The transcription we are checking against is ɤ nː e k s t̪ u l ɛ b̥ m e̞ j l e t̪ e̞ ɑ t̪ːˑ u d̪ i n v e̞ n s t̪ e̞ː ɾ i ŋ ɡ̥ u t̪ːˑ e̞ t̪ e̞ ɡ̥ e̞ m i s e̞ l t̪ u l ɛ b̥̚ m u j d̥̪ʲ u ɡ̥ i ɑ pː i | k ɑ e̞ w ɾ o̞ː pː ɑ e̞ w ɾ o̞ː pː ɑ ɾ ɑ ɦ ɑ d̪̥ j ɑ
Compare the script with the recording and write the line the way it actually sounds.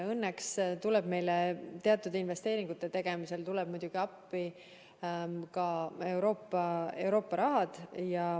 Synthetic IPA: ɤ nː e k s t̪ u l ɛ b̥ m e̞ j l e t̪ e̞ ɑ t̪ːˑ u d̪ i n v e̞ s t̪ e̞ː ɾ i ŋ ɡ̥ u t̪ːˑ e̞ t̪ e̞ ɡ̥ e̞ m i s e̞ l t̪ u l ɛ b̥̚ m u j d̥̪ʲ u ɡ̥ i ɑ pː i | k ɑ e̞ w ɾ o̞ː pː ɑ e̞ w ɾ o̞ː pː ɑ ɾ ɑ ɦ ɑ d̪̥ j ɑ